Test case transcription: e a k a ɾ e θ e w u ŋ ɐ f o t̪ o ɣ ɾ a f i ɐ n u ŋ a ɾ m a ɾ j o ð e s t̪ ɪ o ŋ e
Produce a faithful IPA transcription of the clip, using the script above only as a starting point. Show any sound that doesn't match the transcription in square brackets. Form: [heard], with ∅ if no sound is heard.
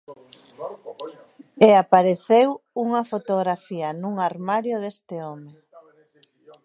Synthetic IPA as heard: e a [p] a ɾ e θ e w u ŋ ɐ f o t̪ o ɣ ɾ a f i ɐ n u ŋ a ɾ m a ɾ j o ð e s t̪ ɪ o [m] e